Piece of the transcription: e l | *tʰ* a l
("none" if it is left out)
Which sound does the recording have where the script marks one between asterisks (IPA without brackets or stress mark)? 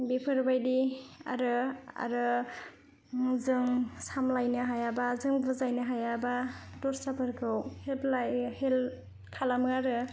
kʰ